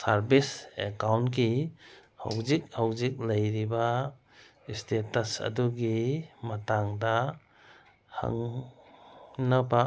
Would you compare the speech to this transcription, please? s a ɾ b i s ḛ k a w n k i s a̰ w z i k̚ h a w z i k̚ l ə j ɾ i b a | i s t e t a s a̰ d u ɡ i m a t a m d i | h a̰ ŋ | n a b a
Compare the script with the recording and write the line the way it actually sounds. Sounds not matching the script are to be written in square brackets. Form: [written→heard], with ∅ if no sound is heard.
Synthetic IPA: s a ɾ b i s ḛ k a w n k i [s→h] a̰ w z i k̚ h a w z i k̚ l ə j ɾ i b a | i s t e t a s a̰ d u ɡ i m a t a [m→ŋ] d [i→a] | h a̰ ŋ | n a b a